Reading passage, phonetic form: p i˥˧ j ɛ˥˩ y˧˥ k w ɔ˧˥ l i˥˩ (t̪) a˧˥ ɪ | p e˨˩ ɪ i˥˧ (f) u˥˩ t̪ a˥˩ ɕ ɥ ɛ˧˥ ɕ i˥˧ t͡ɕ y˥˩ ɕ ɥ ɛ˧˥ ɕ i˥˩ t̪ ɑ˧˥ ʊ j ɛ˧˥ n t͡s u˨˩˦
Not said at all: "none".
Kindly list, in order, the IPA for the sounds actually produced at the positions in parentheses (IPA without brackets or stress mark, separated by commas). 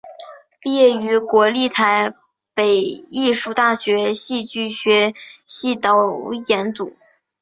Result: t̪ʰ, ʂ